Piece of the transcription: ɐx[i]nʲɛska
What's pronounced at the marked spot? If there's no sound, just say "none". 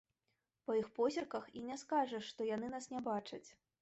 i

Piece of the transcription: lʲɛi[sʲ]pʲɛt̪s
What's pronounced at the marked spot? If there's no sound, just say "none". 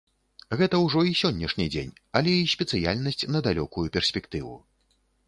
sʲ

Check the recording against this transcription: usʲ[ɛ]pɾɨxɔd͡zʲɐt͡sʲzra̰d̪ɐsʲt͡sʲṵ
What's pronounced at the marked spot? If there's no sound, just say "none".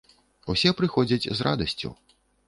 ɛ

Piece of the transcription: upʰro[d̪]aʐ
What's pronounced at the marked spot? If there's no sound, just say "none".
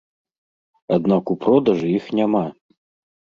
d̪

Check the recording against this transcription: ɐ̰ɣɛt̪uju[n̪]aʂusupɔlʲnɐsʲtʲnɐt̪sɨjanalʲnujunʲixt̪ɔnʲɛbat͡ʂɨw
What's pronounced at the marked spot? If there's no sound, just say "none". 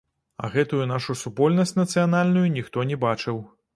n̪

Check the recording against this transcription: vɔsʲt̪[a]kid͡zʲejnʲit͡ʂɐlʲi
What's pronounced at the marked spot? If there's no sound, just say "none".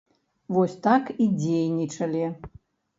a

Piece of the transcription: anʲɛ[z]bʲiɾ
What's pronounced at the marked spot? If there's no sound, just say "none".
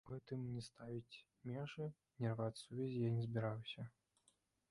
z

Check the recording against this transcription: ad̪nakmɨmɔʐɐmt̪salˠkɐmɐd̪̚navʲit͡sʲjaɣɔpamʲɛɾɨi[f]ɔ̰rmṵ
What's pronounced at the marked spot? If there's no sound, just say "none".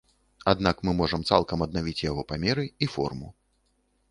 f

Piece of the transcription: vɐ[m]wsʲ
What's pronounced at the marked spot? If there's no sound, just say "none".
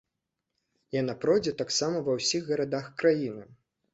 none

